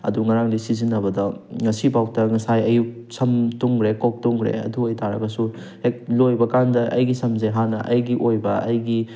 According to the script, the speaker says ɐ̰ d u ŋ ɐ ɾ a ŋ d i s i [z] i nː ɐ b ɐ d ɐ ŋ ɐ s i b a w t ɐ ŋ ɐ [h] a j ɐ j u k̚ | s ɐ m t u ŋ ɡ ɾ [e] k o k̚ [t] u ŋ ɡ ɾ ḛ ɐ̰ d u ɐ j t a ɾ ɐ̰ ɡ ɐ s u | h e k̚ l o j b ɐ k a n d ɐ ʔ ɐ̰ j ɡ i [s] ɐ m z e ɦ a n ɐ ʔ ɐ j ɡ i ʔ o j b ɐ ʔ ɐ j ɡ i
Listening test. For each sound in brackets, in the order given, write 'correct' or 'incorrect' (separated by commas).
correct, incorrect, correct, correct, correct